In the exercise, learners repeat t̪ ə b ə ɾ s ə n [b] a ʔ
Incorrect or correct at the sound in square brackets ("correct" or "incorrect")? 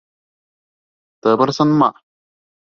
incorrect